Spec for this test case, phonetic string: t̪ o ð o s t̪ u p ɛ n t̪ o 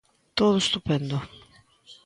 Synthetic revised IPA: t̪ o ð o s t̪ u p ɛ n d̪ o